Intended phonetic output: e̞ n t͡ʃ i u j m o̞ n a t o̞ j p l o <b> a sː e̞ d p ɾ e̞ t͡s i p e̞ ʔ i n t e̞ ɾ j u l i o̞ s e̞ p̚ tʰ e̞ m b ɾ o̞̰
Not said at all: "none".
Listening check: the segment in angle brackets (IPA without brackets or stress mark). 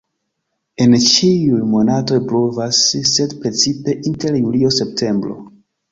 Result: v